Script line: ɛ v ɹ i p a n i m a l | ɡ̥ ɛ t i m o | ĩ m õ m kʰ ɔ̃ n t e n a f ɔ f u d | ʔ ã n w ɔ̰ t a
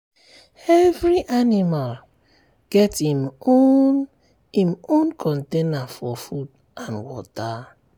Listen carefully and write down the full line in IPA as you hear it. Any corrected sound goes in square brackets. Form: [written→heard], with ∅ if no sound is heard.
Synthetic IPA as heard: ɛ v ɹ i [p→ʔ] a n i m a l | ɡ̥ ɛ t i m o | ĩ m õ [m→n] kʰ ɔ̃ n t e n a f ɔ f u d | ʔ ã n w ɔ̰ t a